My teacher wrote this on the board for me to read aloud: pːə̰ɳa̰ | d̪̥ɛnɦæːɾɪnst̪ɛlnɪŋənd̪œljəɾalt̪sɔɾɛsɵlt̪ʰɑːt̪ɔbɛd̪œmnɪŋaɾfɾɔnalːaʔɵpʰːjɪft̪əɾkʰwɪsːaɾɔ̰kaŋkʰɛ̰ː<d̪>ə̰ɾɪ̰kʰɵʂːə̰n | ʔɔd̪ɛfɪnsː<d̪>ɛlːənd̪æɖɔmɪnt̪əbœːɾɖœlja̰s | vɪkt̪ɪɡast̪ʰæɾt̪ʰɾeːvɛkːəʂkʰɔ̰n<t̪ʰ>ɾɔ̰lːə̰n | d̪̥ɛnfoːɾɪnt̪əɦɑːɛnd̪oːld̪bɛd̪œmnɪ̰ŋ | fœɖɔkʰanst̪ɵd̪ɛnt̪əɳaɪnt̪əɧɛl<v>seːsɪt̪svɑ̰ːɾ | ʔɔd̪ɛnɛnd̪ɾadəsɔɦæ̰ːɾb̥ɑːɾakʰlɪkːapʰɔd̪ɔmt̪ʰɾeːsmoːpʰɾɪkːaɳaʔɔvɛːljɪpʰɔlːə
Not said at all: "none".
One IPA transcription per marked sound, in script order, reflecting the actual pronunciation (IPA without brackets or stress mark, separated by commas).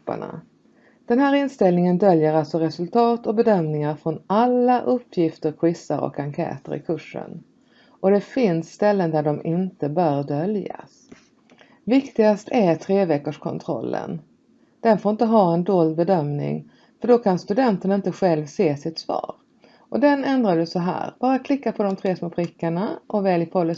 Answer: t̪, t̪, t̪ʰ, v